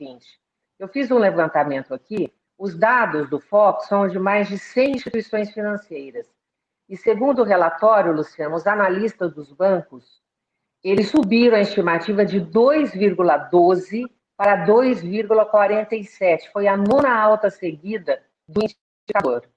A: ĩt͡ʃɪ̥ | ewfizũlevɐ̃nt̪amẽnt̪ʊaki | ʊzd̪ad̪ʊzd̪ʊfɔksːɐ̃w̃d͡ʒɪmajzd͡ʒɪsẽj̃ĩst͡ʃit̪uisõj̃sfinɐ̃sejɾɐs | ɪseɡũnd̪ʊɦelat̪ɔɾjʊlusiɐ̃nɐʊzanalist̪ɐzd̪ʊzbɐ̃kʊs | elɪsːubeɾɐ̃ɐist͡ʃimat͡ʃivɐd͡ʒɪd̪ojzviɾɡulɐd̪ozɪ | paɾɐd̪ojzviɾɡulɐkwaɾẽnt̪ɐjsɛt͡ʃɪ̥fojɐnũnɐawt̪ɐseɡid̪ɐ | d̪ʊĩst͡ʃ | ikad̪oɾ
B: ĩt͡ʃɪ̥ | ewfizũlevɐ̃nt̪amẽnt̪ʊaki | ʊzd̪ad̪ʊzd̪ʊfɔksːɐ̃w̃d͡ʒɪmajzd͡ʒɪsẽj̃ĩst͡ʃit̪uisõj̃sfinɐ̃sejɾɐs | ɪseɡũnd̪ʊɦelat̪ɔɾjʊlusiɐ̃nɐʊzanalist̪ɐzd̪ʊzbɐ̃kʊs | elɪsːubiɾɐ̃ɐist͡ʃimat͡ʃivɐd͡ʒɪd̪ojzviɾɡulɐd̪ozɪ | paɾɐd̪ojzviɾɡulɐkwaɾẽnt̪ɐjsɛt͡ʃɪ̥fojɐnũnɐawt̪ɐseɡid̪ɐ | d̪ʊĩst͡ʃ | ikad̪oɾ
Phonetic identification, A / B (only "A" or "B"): B